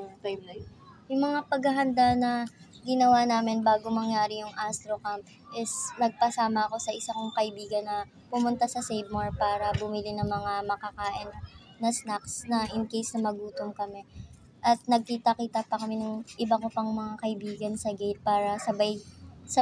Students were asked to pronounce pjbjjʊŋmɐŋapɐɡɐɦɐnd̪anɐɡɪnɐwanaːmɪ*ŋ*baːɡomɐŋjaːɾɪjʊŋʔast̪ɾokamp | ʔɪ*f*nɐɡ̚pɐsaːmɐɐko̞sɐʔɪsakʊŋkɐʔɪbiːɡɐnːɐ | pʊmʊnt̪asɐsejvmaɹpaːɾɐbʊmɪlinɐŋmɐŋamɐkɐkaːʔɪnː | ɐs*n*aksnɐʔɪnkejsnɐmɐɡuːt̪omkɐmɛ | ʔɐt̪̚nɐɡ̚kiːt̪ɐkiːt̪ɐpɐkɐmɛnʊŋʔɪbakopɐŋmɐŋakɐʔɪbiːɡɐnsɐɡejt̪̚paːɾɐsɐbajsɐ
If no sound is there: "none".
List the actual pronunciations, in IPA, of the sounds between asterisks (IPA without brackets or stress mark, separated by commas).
n, s, n